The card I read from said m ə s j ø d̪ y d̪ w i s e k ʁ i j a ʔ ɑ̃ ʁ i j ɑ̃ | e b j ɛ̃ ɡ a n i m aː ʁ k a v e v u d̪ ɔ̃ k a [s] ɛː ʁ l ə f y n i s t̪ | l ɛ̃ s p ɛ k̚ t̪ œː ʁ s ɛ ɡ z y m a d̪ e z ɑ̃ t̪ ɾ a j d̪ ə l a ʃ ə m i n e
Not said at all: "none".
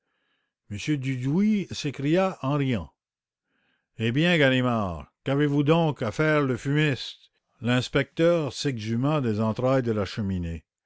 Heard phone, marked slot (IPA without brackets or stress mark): f